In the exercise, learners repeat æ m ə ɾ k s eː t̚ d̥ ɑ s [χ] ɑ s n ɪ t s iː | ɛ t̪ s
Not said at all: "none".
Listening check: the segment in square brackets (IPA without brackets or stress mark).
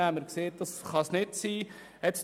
χ